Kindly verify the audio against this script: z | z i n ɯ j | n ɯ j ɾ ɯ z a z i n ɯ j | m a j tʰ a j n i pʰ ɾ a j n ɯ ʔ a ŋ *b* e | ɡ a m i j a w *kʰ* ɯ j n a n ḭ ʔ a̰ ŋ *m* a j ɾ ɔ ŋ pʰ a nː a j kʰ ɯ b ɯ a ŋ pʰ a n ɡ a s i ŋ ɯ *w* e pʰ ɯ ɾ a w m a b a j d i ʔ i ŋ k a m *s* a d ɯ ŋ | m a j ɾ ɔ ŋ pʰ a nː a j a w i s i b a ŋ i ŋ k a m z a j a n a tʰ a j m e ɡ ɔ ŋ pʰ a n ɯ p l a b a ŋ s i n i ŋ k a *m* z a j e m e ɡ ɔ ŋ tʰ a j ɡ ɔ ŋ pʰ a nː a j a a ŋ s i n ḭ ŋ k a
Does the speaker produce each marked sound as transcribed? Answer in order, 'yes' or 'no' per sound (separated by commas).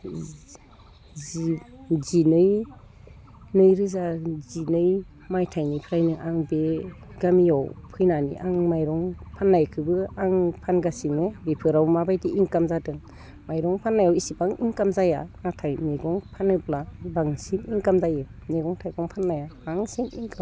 yes, no, yes, no, no, yes